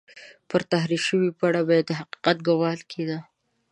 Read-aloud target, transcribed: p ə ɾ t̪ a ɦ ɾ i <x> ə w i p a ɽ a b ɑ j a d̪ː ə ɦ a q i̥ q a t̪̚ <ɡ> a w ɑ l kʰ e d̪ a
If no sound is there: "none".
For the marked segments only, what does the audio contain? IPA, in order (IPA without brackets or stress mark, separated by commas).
ʃ, ɡ